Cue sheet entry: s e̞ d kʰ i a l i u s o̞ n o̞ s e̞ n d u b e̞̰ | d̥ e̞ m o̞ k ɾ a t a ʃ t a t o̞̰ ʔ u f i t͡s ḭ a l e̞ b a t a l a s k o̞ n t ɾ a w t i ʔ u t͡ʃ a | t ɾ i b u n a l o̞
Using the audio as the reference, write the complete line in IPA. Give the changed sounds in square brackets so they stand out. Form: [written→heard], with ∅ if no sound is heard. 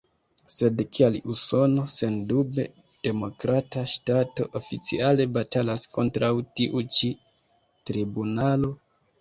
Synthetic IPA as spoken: s e̞ d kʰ i a l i u s o̞ n o̞ s e̞ n d u b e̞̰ | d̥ e̞ m o̞ k ɾ a t a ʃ t a t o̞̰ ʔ [u→o] f i t͡s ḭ a l e̞ b a t a l a s k o̞ n t ɾ a w t i ʔ u t͡ʃ [a→i] | t ɾ i b u n a l o̞